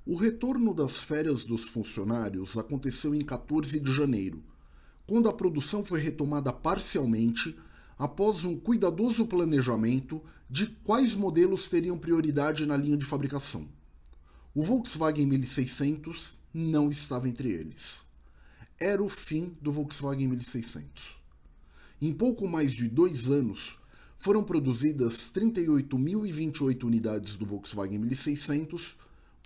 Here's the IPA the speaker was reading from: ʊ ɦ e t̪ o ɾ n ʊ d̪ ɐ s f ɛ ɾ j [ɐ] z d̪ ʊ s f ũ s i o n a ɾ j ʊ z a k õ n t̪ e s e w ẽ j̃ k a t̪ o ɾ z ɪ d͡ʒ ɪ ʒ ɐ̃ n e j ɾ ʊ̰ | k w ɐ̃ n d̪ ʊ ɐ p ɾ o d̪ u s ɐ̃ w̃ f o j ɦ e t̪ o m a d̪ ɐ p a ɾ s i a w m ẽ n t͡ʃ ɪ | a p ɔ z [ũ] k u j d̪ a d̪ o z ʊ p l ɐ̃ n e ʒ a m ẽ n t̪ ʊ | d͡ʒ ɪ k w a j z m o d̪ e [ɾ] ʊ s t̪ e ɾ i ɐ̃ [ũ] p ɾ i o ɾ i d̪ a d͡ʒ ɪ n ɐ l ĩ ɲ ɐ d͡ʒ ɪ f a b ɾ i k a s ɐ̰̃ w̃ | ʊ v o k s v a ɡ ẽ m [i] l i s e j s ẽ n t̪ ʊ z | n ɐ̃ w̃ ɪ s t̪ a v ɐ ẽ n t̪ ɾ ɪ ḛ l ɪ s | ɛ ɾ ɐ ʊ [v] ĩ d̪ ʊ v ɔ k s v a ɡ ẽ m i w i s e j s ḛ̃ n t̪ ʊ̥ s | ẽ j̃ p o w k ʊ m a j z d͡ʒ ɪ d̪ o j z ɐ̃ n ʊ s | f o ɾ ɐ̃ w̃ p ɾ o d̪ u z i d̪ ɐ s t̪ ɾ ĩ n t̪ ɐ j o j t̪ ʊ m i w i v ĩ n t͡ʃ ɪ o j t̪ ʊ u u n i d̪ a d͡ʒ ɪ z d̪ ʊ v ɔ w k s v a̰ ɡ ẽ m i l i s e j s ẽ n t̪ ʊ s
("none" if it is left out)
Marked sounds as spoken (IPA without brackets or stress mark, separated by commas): ɐ, ũ, l, w̃, i, f